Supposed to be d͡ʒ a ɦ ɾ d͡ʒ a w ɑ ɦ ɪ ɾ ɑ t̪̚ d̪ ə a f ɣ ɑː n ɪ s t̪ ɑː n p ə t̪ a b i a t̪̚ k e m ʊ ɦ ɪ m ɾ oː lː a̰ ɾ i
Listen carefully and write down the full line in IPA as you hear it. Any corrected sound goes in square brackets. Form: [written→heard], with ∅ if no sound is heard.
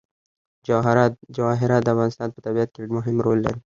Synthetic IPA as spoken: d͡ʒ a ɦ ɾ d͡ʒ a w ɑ ɦ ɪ ɾ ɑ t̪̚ d̪ ə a f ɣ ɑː n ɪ s t̪ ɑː n p ə t̪ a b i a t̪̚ k e m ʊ ɦ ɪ m ɾ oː lː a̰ ɾ i